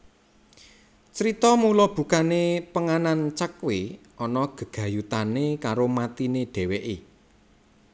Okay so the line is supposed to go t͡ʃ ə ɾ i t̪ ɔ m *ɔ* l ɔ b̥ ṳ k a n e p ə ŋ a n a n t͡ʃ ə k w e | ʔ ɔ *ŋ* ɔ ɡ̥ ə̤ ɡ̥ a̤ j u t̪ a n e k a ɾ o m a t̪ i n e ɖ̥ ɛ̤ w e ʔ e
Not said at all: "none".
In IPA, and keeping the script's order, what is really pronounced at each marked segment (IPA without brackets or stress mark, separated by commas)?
u, n